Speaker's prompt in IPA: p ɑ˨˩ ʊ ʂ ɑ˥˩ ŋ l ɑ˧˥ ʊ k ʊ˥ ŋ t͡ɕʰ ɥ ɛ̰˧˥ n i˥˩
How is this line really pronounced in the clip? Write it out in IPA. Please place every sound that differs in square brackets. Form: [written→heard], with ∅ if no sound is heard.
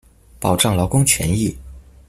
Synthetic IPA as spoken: p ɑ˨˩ ʊ [ʂ→ʈ͡ʂ] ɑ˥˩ ŋ l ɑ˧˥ ʊ k ʊ˥ ŋ t͡ɕʰ ɥ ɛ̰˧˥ n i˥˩